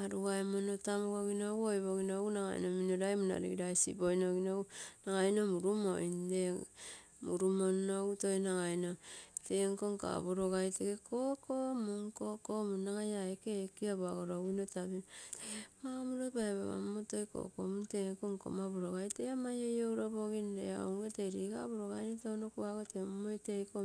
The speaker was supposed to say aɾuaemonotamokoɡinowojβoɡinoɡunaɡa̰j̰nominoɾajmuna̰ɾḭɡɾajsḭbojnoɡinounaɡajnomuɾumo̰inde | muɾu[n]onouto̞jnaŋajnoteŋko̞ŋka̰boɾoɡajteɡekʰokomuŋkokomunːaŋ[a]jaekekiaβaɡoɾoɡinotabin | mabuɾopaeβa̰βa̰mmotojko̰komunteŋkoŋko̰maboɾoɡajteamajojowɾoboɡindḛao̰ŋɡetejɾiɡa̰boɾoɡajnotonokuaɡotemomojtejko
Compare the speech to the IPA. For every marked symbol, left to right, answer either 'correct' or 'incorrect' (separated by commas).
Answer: incorrect, correct